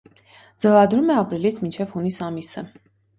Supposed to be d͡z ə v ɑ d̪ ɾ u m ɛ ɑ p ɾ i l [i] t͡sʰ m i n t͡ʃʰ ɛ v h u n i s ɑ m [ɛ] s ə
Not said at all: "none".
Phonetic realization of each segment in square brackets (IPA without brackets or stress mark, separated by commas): i, i